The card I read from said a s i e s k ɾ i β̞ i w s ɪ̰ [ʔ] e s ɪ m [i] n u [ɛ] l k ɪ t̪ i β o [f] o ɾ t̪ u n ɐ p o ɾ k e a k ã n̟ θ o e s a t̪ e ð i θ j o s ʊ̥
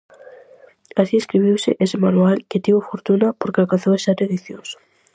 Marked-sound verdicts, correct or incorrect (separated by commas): correct, incorrect, incorrect, correct